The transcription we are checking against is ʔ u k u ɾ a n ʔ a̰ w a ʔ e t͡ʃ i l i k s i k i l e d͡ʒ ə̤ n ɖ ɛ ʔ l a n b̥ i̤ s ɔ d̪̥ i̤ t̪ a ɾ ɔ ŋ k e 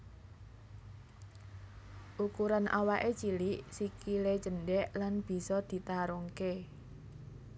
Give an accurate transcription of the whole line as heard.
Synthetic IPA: ʔ u k u ɾ a n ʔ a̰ w a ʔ e t͡ʃ i l i ʔ s i k i l e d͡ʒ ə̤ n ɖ ɛ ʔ l a n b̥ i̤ s ɔ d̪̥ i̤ t̪ a ɾ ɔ ŋ k e